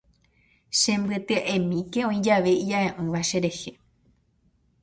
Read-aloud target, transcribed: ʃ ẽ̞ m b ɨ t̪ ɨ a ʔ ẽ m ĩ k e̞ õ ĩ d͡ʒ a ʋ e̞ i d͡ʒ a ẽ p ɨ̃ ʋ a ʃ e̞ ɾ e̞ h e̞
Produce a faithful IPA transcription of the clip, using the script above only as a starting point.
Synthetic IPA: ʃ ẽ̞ m b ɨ t̪ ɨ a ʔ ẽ m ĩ k e̞ õ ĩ d͡ʒ a ʋ e̞ i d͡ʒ a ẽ ʔ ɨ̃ ʋ a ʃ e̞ ɾ e̞ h e̞